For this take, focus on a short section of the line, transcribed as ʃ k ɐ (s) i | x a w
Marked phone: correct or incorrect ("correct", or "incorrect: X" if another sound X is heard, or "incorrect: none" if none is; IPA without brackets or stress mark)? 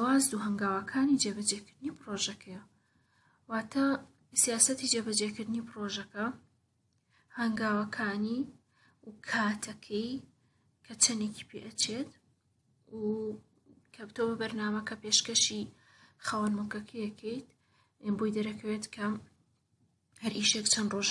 incorrect: ʃ